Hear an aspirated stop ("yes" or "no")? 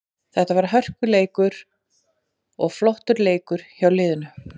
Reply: no